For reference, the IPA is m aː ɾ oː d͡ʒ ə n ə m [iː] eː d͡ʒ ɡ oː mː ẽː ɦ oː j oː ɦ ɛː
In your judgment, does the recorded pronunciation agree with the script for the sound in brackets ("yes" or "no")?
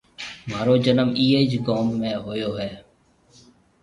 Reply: yes